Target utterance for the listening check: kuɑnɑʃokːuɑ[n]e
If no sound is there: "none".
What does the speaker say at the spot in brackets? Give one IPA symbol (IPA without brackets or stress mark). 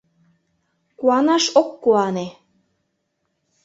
n